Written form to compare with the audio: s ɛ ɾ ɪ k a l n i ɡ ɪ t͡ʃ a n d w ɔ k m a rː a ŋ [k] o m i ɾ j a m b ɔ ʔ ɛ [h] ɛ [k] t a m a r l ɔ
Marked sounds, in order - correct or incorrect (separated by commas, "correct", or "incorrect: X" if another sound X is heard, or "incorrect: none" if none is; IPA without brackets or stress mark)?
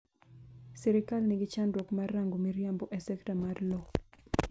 incorrect: ɡ, incorrect: s, correct